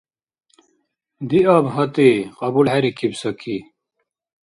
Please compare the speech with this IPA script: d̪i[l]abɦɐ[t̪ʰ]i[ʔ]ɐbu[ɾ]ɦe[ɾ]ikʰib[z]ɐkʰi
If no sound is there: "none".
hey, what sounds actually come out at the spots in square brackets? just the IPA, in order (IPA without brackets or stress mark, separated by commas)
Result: none, t̪, q, l, ɾ, s